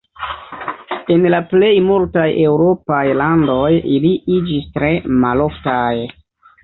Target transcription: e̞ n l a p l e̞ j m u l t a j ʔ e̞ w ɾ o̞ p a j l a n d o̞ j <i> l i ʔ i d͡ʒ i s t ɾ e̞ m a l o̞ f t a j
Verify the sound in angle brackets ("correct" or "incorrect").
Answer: correct